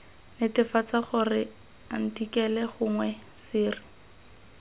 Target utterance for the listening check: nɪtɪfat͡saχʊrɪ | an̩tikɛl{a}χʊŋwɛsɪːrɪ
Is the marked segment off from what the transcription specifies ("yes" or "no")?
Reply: yes